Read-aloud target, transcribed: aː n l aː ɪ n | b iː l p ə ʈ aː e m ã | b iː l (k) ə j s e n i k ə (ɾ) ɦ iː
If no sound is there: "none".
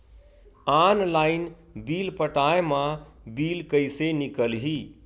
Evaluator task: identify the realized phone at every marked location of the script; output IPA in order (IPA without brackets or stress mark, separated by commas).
k, l